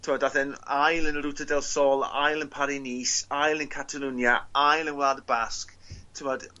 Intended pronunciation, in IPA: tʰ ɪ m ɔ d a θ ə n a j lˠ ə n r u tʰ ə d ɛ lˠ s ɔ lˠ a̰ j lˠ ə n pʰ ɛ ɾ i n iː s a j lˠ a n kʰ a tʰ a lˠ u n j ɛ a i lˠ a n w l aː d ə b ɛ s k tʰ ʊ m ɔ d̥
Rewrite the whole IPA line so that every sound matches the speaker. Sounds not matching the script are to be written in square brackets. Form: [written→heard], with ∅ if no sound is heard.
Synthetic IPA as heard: tʰ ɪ m ɔ d a θ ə n a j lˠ ə n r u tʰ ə d ɛ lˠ s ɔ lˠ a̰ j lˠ ə n pʰ [ɛ→a] ɾ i n iː s a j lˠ [a→ə] n kʰ a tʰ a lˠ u n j [ɛ→a] a [i→j] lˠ [a→ə] n w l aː d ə b [ɛ→a] s k tʰ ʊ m ɔ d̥